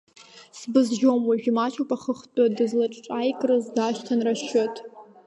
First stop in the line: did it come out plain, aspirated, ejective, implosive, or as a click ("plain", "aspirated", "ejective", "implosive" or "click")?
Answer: plain